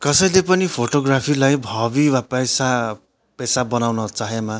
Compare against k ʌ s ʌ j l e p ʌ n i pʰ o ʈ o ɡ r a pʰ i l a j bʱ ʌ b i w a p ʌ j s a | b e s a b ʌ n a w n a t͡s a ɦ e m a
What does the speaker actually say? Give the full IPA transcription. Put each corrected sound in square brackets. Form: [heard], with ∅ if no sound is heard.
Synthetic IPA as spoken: k ʌ s ʌ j l e p ʌ n i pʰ o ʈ o ɡ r a pʰ i l a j bʱ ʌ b i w a p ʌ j s a | [p] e s a b ʌ n a w n [ʌ] t͡s a ɦ e m a